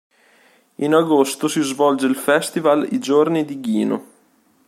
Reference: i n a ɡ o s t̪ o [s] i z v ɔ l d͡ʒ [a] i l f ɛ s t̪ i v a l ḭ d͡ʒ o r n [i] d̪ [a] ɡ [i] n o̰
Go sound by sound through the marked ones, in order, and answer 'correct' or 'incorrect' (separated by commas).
correct, incorrect, correct, incorrect, incorrect